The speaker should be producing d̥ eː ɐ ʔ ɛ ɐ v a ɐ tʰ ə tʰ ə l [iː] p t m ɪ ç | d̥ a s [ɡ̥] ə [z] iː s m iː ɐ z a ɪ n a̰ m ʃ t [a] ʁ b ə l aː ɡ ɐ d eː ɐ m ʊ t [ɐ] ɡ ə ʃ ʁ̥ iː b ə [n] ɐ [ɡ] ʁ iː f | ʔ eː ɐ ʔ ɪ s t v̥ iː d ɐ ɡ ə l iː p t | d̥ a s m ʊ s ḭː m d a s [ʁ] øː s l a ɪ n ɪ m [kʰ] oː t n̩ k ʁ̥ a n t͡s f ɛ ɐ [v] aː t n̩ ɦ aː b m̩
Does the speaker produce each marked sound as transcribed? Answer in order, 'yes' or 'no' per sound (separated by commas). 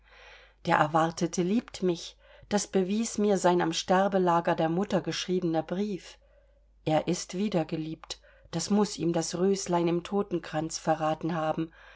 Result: yes, no, no, no, yes, yes, no, yes, no, no